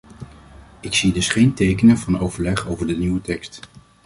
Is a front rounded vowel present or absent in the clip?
absent